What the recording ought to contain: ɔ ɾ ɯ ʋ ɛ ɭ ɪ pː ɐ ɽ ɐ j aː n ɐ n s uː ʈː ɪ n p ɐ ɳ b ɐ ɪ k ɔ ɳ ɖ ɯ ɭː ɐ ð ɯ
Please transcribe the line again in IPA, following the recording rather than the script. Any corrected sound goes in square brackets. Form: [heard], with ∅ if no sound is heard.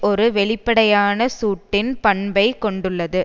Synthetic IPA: ɔ ɾ ɯ ʋ ɛ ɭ ɪ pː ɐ ɽ ɐ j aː n ɐ [∅] s uː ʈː ɪ n p ɐ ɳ b ɐ ɪ k ɔ ɳ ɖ ɯ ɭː ɐ ð ɯ

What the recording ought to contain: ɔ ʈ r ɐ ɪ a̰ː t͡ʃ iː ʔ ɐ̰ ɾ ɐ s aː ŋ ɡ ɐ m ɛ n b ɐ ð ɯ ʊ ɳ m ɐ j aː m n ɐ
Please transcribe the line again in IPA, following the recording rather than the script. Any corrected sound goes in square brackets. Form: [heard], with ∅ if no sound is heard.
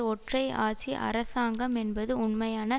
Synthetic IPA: ɔ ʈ r ɐ ɪ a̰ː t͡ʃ [i] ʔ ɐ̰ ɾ ɐ s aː ŋ ɡ ɐ m ɛ n b ɐ ð ɯ ʊ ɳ m ɐ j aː [∅] n ɐ

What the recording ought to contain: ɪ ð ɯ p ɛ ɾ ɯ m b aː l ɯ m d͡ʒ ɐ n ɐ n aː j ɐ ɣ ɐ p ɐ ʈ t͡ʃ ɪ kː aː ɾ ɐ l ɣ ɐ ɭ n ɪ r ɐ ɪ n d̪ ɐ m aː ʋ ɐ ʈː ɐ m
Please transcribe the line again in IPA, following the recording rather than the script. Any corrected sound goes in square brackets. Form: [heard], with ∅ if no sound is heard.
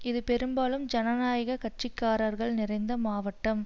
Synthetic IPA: ɪ ð ɯ p ɛ ɾ ɯ m b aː l ɯ m d͡ʒ ɐ n ɐ n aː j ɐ ɣ ɐ [k] ɐ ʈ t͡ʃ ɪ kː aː ɾ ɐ [ɾ] ɣ ɐ ɭ n ɪ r ɐ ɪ n d̪ ɐ m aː ʋ ɐ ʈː ɐ m

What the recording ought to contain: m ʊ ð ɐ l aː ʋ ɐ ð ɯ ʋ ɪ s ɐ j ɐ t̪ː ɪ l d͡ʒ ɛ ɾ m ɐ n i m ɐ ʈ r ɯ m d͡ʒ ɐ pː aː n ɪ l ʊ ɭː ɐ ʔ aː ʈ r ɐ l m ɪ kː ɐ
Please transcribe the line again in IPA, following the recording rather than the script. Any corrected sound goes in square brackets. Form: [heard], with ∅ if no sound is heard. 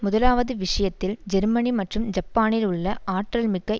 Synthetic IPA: m ʊ ð ɐ l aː ʋ ɐ ð ɯ ʋ ɪ [ʂ] ɐ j ɐ t̪ː ɪ l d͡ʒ ɛ ɾ m ɐ n i m ɐ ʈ r ɯ m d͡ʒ ɐ pː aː n ɪ l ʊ ɭː ɐ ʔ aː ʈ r ɐ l m ɪ kː ɐ

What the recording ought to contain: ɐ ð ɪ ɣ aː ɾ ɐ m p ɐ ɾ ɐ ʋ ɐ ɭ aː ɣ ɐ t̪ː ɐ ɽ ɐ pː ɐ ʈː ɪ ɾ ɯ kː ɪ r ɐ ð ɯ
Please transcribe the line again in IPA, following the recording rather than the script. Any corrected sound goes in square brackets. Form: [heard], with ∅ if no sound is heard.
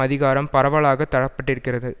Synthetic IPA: ɐ ð ɪ ɣ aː ɾ ɐ m p ɐ ɾ ɐ ʋ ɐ ɭ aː ɣ ɐ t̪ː ɐ ɽ ɐ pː ɐ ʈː ɪ ɾ ɯ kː ɪ r ɐ ð ɯ

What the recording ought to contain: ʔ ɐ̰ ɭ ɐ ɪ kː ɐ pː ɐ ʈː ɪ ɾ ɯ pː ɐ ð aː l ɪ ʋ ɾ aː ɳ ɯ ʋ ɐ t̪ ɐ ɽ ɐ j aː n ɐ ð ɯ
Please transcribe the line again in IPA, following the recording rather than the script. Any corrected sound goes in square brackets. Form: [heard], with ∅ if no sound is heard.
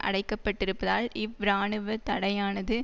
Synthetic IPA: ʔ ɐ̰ [ɽ] ɐ ɪ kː ɐ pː ɐ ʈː ɪ ɾ ɯ pː ɐ ð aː l ɪ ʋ ɾ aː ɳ ɯ ʋ ɐ t̪ ɐ ɽ ɐ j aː n ɐ ð ɯ

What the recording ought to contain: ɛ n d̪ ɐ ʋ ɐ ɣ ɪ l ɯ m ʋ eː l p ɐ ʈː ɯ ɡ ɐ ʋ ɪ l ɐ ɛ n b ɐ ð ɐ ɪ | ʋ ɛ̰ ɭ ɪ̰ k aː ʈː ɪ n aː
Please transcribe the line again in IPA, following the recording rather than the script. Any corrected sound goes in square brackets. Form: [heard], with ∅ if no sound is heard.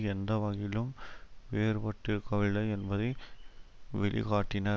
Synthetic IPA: ɛ n d̪ ɐ ʋ ɐ ɣ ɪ l ɯ m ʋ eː [ɾ] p ɐ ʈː ɯ [k] ɐ ʋ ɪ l ɐ ɛ n b ɐ ð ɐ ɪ | ʋ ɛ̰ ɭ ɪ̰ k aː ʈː ɪ n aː

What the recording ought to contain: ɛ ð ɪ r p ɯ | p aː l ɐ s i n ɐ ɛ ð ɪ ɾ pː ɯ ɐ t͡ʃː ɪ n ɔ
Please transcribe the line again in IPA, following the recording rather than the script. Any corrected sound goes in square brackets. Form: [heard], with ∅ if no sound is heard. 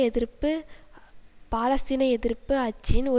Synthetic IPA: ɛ ð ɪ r p ɯ | p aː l ɐ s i n ɐ ɛ ð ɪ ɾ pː ɯ ɐ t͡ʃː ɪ n ɔ

